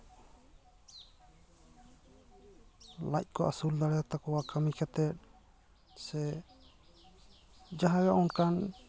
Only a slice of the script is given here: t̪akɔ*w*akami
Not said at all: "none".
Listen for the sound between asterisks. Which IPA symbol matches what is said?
w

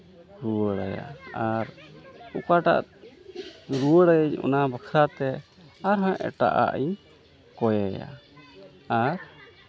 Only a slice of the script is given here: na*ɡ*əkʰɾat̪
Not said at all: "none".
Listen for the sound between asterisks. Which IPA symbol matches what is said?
b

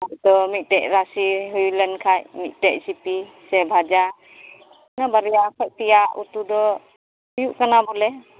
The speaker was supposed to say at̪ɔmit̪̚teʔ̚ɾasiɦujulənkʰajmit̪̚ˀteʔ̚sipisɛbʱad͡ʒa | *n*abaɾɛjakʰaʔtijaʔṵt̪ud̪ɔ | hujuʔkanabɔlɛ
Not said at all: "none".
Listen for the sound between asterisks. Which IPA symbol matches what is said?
n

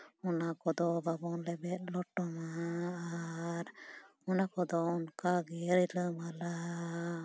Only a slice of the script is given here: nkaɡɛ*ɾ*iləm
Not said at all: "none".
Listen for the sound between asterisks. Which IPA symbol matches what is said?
ɾ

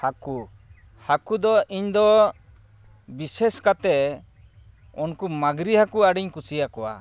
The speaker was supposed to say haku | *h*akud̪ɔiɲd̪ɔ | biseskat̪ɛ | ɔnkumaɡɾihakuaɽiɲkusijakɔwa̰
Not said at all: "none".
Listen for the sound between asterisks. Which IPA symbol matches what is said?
h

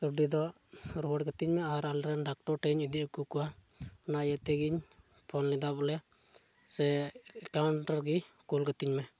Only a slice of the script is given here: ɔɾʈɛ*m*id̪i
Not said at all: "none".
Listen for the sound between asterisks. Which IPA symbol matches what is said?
ɲ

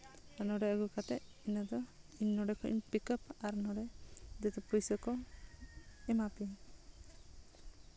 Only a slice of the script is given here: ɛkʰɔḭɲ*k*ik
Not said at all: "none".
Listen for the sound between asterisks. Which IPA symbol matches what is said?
p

